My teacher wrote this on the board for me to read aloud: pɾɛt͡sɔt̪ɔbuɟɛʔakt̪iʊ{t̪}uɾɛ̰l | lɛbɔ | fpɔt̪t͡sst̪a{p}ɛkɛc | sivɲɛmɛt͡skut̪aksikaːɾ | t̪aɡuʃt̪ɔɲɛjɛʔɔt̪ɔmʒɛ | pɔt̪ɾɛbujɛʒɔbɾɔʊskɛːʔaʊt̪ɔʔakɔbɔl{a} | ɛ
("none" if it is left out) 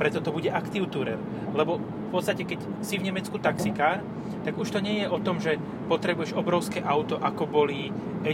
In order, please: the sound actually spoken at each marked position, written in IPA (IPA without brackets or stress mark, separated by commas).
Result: t̪, c, i